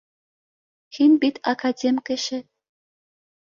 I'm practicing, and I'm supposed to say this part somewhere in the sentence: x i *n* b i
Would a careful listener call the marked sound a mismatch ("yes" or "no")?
no